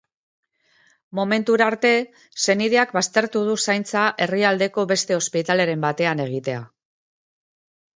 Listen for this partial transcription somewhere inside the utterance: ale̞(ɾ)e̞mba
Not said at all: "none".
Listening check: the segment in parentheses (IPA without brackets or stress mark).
ɾ